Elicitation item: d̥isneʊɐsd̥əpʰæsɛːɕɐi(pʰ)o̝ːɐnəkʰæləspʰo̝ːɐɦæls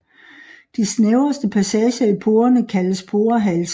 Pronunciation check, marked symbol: correct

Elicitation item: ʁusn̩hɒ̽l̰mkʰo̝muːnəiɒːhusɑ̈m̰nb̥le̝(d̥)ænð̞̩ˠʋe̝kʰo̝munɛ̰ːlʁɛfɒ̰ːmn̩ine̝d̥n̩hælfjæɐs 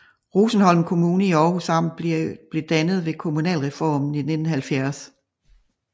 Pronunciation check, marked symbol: correct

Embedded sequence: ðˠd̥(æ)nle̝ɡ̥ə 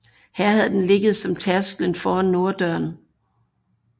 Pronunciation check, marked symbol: incorrect: e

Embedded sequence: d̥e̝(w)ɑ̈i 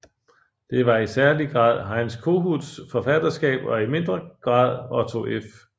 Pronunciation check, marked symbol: incorrect: ʋ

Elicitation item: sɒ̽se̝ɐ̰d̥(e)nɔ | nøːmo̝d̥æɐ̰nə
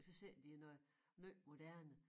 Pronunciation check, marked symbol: incorrect: i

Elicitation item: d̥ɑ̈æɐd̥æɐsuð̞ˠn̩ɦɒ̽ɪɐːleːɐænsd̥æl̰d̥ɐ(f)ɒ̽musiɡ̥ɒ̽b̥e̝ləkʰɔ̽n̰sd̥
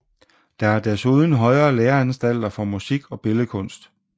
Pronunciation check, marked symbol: correct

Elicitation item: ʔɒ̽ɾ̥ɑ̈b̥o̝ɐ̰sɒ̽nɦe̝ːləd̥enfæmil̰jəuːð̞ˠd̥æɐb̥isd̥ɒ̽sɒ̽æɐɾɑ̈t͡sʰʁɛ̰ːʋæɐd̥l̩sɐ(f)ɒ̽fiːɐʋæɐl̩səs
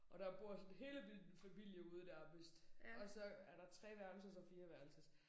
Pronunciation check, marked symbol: incorrect: s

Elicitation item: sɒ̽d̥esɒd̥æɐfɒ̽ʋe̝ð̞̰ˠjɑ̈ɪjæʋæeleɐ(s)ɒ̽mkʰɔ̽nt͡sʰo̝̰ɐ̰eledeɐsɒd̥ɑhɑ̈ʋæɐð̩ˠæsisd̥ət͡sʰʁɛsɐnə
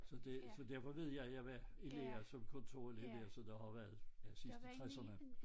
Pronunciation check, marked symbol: correct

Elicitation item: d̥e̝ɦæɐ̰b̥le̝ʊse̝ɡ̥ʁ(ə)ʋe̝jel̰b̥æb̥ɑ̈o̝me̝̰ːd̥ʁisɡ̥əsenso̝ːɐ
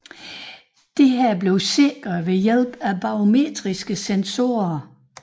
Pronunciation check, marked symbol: incorrect: ɐ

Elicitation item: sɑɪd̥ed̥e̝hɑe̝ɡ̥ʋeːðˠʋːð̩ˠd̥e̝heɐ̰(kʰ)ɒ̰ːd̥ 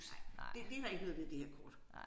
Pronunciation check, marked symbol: correct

